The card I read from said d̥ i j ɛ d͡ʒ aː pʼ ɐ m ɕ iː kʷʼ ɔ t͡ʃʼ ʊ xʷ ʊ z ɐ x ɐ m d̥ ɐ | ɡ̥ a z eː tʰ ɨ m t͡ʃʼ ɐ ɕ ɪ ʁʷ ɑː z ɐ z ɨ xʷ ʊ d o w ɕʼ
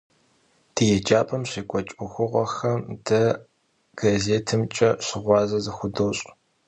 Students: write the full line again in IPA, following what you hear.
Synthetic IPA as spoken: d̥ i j ɛ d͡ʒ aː pʼ ɐ m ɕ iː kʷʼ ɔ t͡ʃʼ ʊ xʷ ʊ ʁ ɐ x ɐ m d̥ ɐ | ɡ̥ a z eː tʰ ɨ m t͡ʃʼ ɐ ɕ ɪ ʁʷ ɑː z ɐ z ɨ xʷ ʊ d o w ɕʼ